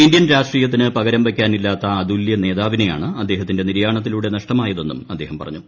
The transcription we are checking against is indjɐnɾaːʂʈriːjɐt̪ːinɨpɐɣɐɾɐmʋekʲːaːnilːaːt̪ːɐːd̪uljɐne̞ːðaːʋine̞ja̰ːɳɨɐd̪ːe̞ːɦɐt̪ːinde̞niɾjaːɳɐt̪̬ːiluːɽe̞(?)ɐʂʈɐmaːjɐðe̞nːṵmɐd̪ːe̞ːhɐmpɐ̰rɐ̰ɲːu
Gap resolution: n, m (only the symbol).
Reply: n